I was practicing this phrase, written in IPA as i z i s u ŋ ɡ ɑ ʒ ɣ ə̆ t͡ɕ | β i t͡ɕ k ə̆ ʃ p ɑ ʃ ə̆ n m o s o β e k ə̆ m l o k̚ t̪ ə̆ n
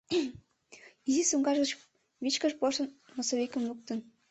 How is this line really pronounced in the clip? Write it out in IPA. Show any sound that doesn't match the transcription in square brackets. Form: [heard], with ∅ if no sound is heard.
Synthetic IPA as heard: i z i s u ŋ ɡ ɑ ʒ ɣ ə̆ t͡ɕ | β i t͡ɕ k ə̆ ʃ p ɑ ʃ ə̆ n m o s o β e k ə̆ m l [u] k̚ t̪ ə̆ n

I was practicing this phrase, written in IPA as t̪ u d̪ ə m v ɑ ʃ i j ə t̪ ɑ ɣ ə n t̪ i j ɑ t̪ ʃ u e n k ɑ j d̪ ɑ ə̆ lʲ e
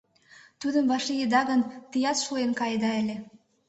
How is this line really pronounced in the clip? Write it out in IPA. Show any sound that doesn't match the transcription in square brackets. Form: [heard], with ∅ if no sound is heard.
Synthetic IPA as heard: t̪ u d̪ ə m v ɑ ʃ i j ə [d̪] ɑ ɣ ə n t̪ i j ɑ t̪ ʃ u e n k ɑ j d̪ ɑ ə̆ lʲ e

